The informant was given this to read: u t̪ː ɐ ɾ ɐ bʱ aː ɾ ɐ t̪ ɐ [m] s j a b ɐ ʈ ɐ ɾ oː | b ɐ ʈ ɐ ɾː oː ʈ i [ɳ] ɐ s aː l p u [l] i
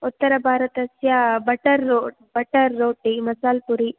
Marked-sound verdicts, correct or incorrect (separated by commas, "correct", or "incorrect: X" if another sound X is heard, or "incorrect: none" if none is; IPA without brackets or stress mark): incorrect: none, incorrect: m, incorrect: ɾ